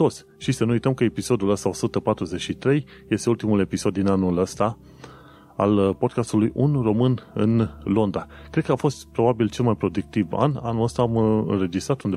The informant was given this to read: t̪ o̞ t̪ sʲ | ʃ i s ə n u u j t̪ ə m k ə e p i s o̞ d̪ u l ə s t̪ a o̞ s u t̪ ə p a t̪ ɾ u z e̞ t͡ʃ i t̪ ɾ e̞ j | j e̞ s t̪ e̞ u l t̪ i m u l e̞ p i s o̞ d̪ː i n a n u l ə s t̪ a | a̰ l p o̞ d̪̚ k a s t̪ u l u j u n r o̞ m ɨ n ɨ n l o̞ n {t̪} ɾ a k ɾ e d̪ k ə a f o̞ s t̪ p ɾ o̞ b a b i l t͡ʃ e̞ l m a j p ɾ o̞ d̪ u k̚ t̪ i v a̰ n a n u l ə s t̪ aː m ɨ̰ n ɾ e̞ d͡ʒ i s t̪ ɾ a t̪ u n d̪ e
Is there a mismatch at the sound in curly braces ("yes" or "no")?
yes